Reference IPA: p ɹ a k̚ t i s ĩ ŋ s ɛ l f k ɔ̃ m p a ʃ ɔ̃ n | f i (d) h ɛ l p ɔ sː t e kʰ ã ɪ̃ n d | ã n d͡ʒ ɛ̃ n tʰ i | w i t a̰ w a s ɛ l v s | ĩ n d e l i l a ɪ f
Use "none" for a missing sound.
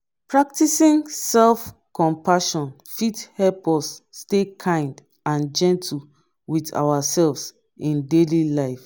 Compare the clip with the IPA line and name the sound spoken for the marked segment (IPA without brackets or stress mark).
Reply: t